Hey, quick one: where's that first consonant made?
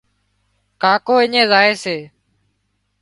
velum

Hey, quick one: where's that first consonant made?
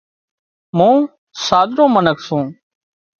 lips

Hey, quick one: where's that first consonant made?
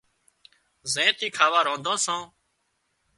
tongue tip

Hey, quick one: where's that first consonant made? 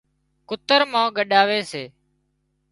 velum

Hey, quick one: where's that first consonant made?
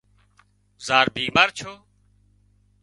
tongue tip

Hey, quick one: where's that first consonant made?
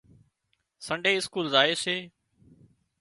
tongue tip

